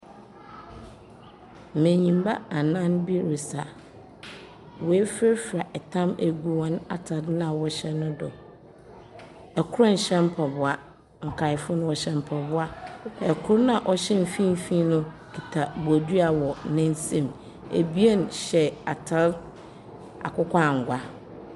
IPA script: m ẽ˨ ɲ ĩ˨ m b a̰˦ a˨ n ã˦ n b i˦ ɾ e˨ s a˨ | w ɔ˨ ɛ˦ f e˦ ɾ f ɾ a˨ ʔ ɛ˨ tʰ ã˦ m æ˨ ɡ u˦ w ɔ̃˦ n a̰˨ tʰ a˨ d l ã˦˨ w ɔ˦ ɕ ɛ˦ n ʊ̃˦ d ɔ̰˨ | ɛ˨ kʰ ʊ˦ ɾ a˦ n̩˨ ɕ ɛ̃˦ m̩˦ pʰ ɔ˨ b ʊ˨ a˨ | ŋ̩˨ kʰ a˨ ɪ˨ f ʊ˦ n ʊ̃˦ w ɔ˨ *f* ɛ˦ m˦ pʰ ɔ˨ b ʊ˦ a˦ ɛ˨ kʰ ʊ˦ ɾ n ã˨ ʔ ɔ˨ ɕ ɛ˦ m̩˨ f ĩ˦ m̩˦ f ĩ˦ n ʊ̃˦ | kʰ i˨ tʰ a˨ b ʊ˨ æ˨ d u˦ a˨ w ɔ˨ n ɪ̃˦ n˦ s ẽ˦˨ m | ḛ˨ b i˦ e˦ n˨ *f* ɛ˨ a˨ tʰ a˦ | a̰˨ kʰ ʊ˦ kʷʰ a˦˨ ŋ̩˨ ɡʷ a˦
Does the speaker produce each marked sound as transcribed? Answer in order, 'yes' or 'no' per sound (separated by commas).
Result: no, no